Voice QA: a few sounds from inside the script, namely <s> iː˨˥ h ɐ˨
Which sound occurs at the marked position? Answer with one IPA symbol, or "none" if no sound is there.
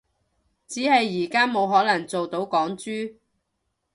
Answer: t͡s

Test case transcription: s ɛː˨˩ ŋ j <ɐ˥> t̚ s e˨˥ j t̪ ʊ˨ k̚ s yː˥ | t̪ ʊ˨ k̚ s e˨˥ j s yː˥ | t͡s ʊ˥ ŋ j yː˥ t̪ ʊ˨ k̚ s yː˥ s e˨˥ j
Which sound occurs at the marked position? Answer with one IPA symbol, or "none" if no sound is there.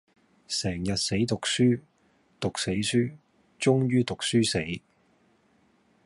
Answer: ɐ˨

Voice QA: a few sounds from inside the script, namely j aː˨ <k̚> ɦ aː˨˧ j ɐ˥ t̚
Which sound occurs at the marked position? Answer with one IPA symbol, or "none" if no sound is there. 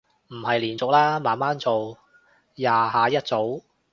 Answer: none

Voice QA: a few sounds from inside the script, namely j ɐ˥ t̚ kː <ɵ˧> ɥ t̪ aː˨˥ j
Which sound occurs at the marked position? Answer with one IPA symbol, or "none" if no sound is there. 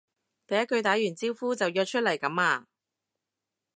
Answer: ɵ˧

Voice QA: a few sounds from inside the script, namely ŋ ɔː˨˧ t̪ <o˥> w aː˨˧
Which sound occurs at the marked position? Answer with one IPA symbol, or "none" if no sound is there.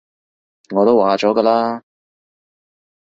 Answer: o˥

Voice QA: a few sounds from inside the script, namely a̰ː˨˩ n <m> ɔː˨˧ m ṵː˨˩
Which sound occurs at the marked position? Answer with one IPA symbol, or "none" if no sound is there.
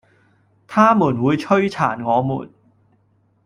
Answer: ŋ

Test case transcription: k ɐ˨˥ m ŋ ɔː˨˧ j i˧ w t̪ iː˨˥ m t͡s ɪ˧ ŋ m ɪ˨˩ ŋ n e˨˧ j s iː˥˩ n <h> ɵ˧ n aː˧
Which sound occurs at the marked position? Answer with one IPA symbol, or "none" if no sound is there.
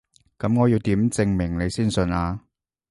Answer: s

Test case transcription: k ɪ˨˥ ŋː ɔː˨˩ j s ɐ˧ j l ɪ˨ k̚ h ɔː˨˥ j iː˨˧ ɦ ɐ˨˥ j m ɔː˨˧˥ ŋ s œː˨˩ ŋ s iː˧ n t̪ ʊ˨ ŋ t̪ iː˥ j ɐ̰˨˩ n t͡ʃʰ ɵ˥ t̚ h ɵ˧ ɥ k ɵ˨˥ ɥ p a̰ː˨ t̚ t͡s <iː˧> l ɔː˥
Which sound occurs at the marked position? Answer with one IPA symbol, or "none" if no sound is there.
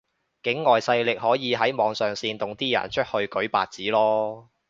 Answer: iː˨˥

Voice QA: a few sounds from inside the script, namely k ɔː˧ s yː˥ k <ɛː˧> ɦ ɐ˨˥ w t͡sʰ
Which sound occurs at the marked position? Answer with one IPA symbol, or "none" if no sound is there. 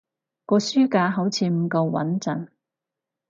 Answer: aː˧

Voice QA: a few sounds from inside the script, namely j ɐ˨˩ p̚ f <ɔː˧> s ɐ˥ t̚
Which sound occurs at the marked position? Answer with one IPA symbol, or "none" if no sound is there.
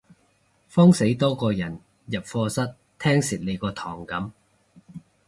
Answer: ɔː˧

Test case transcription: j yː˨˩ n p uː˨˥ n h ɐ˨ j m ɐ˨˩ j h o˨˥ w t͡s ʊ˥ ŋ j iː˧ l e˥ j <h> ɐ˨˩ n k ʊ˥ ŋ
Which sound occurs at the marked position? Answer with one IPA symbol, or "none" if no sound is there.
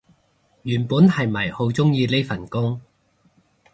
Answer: f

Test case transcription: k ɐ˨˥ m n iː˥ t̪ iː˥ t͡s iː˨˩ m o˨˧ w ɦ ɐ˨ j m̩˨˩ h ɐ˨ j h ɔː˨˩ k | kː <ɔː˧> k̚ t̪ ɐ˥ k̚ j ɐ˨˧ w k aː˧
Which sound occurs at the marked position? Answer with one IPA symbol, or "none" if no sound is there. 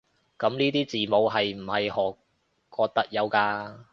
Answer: ɔː˧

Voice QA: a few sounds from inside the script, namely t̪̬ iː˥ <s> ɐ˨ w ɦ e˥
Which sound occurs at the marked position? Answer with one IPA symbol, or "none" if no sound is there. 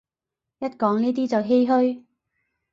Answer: t͡s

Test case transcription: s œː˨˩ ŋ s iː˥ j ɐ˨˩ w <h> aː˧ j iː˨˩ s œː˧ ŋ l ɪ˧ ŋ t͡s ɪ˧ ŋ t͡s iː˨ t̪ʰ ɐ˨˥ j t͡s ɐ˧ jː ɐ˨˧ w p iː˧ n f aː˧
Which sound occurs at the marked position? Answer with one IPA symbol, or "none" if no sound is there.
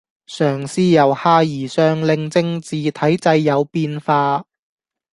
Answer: h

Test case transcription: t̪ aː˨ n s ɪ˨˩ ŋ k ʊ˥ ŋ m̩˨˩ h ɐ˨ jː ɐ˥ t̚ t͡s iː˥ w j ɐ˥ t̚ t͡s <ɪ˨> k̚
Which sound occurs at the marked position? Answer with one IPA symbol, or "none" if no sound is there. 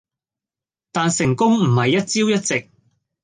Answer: ɪ˨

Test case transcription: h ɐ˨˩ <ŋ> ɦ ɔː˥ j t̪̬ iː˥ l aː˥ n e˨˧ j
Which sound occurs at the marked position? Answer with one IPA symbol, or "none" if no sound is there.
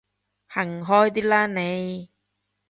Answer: ŋ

